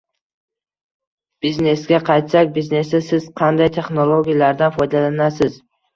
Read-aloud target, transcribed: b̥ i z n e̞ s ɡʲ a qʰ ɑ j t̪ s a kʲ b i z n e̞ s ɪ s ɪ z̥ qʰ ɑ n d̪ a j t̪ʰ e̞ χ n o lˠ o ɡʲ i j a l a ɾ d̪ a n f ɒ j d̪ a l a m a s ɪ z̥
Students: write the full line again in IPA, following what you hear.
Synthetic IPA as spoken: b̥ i z n e̞ s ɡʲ a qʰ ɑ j t̪ s a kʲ b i z n e̞ s ɪ s ɪ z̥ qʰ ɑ n d̪ a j t̪ʰ e̞ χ n o lˠ o ɡʲ i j a l a ɾ d̪ a n f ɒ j d̪ a l a n a s ɪ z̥